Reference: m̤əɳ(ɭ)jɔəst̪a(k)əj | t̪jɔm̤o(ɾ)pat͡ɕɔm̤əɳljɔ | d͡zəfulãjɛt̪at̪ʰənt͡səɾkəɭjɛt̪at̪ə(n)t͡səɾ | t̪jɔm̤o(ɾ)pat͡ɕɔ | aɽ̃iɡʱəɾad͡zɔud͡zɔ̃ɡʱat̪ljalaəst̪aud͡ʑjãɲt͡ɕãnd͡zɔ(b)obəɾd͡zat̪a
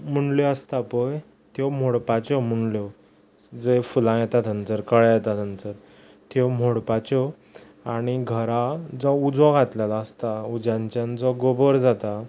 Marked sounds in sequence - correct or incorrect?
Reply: incorrect, incorrect, incorrect, correct, incorrect, incorrect

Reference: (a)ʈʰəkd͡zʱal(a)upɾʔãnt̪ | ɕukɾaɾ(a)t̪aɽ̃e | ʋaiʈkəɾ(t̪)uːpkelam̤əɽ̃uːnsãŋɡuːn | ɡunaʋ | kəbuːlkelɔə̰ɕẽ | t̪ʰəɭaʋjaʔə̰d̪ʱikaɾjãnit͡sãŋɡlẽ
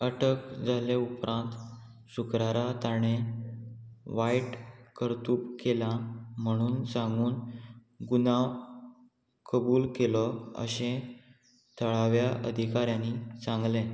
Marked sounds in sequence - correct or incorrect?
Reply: incorrect, incorrect, correct, correct

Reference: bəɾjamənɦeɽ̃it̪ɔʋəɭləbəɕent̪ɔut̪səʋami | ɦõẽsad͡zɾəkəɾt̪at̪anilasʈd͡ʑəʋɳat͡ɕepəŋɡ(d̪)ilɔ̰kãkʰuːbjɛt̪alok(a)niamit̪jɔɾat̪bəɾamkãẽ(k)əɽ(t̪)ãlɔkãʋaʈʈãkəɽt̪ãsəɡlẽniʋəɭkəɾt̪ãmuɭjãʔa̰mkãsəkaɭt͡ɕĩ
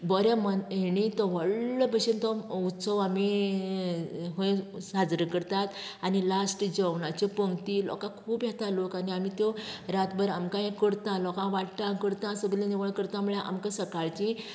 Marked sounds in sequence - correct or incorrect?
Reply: incorrect, correct, correct, correct

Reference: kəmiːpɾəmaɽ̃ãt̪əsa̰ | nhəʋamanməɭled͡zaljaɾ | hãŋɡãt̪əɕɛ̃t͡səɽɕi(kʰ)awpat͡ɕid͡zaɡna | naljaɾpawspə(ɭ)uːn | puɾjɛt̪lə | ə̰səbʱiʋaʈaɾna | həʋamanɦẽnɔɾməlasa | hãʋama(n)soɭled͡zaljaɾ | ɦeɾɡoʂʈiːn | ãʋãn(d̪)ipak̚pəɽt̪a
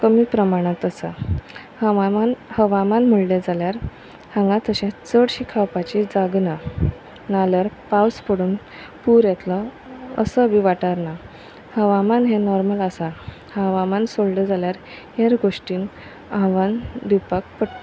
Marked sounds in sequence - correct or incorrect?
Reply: correct, incorrect, correct, correct

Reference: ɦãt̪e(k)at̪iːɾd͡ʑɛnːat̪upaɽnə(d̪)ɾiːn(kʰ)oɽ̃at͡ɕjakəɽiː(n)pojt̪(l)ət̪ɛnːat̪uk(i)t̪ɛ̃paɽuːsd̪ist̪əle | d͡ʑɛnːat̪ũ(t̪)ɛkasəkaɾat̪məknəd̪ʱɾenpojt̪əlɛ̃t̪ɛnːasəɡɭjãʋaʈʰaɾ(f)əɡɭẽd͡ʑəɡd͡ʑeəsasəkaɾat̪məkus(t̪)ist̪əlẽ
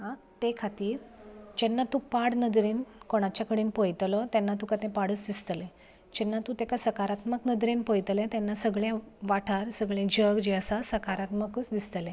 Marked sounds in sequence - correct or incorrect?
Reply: incorrect, correct, incorrect, correct, correct, incorrect, correct, incorrect, incorrect

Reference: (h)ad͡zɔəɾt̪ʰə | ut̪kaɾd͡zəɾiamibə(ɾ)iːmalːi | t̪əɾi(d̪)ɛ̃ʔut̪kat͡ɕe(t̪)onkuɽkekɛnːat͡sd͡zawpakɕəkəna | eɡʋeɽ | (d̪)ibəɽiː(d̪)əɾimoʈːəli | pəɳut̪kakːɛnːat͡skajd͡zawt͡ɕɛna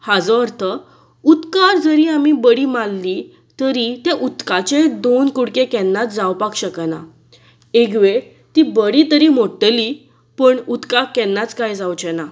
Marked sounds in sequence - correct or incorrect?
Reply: correct, incorrect, incorrect, incorrect, incorrect, incorrect

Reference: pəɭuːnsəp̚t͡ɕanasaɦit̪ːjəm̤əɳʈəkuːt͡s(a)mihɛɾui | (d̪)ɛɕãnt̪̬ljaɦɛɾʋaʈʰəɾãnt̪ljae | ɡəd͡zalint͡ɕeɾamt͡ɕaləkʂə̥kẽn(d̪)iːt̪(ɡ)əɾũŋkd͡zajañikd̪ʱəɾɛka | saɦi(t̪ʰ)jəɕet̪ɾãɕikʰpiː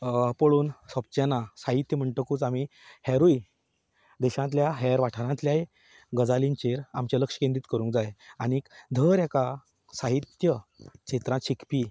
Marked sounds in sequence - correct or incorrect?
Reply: correct, correct, correct, incorrect, incorrect

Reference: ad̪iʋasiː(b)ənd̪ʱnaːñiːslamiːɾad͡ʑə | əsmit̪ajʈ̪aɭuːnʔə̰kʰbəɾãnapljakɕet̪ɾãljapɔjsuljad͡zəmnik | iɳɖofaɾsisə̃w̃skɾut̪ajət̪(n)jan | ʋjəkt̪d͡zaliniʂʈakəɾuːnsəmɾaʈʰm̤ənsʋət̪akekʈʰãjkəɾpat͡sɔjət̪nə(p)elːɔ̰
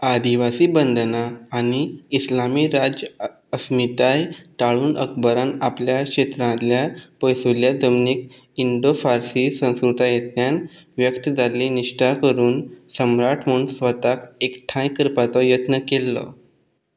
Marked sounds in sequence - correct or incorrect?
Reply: correct, correct, incorrect

